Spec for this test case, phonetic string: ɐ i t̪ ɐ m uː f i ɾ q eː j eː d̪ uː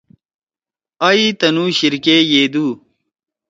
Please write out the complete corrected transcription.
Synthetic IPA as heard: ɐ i t̪ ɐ n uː ɕ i ɾ k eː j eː d̪ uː